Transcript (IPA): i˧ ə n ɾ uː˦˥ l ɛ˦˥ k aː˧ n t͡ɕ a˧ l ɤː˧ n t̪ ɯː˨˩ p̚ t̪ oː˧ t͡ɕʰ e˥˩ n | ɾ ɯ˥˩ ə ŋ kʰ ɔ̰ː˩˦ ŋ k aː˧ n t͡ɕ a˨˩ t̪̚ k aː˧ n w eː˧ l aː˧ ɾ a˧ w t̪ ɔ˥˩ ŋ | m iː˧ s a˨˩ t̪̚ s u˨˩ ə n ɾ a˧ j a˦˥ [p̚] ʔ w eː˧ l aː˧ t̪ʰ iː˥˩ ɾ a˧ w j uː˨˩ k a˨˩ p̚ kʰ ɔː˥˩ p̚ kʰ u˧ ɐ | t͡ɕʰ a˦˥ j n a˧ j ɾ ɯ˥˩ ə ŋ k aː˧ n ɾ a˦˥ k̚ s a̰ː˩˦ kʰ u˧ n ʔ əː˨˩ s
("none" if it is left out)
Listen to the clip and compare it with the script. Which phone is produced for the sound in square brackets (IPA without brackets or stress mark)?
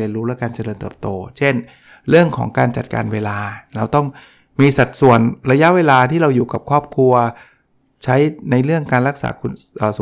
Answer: none